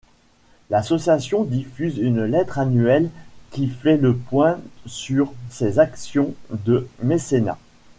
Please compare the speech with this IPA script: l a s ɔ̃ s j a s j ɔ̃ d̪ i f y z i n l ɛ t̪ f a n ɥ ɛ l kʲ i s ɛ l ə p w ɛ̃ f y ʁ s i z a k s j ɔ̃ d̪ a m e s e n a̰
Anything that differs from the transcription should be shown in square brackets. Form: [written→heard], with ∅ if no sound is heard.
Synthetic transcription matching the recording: l a s [ɔ̃→ɔ] s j a s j ɔ̃ d̪ i f y z [i→y] n l ɛ t̪ [f→χ] a n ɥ ɛ l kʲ i [s→f] ɛ l ə p w ɛ̃ [f→s] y ʁ s [i→e] z a k s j ɔ̃ d̪ [a→ə] m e s e n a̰